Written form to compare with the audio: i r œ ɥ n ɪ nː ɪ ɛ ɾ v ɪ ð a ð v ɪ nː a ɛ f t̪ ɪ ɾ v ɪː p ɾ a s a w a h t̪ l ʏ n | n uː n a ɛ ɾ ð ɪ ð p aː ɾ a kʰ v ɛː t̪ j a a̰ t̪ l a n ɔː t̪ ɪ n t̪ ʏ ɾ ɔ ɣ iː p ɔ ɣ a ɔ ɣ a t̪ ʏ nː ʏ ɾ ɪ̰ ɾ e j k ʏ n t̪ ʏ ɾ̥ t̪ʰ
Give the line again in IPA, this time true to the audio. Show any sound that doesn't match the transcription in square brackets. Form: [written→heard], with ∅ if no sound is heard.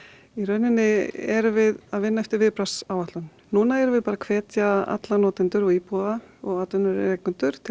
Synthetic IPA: i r œ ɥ n ɪ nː ɪ ɛ ɾ v ɪ ð a ð v ɪ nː a ɛ f t̪ ɪ ɾ v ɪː p ɾ a s a w a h t̪ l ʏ n | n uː n a ɛ ɾ [ð→v] ɪ ð p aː ɾ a kʰ v ɛː t̪ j a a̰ t̪ l a n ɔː t̪ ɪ n t̪ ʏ ɾ ɔ ɣ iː p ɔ [ɣ→ð] a ɔ ɣ a t̪ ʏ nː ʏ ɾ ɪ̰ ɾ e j k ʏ n t̪ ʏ ɾ̥ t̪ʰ